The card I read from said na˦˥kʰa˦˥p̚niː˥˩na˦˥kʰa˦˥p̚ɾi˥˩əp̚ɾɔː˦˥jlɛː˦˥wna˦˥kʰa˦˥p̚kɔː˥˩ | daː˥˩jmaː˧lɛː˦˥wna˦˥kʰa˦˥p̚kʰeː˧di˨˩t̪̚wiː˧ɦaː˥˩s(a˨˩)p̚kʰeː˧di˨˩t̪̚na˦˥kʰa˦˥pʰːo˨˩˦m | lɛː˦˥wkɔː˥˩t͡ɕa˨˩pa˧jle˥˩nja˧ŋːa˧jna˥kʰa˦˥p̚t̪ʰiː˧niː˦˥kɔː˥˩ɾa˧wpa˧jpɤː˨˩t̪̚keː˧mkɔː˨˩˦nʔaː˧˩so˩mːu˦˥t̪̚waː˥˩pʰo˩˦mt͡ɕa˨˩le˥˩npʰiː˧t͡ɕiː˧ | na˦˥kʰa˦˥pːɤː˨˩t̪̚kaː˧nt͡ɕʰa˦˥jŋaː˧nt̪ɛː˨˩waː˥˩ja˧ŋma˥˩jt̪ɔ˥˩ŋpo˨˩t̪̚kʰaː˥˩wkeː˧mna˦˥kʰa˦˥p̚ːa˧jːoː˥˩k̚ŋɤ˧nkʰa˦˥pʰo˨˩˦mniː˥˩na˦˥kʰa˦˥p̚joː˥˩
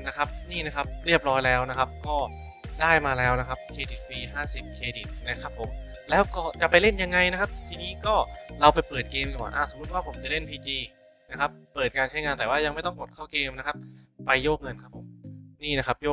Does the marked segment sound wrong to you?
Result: yes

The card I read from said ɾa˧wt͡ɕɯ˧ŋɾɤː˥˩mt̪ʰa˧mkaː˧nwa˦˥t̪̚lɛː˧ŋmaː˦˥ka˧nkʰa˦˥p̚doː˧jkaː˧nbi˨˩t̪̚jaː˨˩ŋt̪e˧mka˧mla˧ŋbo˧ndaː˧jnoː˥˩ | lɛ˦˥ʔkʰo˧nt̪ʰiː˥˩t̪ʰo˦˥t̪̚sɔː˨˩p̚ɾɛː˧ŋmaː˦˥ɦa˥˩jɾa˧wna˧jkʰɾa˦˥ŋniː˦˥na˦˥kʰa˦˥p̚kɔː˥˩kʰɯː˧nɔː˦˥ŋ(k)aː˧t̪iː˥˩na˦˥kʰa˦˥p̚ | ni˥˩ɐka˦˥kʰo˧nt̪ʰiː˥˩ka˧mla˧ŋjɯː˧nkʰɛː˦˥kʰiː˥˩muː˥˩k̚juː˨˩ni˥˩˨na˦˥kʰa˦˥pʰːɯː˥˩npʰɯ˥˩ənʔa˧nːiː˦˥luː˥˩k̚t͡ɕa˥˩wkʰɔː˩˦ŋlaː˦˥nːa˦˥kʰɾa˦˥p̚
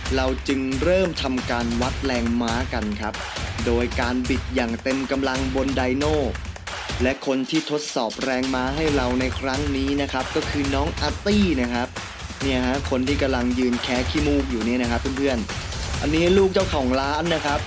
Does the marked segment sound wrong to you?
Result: yes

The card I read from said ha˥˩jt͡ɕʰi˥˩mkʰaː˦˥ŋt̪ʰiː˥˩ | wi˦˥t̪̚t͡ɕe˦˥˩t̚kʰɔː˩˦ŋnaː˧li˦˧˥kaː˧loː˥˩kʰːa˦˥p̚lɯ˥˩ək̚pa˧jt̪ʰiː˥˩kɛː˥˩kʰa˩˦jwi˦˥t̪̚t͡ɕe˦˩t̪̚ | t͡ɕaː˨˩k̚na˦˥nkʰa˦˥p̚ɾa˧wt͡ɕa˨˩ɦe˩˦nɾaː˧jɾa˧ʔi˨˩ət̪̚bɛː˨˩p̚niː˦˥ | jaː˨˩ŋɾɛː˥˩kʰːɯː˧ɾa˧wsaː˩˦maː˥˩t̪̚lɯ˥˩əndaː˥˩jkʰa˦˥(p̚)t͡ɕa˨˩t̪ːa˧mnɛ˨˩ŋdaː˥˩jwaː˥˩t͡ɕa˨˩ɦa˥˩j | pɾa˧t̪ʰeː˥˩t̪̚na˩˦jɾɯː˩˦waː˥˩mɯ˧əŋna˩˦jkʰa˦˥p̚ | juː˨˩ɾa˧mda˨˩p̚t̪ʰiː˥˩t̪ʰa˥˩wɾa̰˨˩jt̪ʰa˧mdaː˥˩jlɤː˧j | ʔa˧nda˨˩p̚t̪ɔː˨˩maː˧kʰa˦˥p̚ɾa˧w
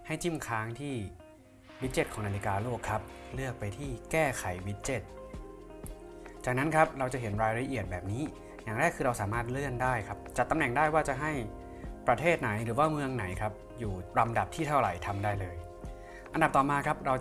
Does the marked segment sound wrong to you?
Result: no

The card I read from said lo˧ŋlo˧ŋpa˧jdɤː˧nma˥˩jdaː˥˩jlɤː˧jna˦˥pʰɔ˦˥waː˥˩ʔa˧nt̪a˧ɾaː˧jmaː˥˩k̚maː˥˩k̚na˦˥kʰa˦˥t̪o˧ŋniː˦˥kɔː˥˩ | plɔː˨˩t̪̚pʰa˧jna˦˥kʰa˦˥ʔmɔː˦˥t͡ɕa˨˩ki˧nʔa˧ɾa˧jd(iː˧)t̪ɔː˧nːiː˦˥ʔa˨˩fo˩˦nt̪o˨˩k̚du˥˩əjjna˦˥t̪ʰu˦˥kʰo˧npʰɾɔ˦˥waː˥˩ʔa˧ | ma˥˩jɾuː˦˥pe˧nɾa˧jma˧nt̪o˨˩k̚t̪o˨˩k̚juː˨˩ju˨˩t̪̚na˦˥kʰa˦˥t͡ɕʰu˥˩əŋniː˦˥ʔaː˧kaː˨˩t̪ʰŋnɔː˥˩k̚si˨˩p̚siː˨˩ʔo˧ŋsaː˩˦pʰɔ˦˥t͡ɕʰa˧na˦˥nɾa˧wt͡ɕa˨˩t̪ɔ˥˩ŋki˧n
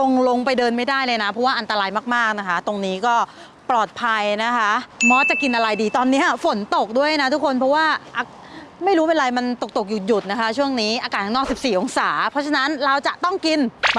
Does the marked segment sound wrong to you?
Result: no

